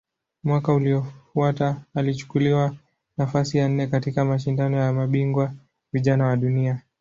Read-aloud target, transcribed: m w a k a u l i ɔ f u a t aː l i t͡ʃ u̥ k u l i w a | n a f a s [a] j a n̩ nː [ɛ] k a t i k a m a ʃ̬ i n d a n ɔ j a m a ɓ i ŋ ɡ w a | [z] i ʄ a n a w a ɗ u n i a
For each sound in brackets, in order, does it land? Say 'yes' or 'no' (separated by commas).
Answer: no, yes, no